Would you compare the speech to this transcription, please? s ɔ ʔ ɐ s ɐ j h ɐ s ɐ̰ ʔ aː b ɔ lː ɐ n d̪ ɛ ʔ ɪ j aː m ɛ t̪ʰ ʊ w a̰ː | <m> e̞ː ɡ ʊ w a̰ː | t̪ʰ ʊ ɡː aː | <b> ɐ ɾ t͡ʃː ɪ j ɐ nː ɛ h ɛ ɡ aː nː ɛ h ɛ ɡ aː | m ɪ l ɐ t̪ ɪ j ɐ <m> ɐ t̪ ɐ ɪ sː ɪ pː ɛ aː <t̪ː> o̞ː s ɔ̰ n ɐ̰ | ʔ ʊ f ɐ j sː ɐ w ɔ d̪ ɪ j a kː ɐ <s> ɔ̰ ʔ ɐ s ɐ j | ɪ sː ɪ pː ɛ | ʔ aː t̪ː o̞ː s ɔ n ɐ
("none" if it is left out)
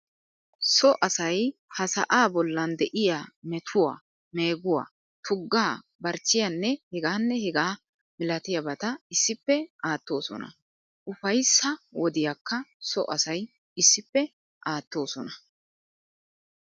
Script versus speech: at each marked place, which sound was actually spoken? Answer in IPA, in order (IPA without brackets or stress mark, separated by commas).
m, b, b, t̪ː, s